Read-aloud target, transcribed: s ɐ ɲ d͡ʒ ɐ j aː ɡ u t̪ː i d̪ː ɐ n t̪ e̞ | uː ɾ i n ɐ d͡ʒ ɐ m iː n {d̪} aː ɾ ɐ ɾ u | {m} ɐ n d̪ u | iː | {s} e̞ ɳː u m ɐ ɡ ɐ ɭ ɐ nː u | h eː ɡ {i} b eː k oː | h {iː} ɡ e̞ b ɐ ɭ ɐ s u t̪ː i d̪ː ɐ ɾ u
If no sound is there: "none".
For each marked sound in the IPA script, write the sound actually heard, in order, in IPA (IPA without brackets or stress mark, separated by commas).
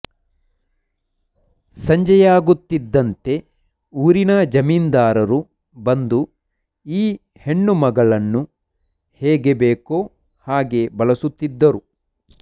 d̪, b, h, e, aː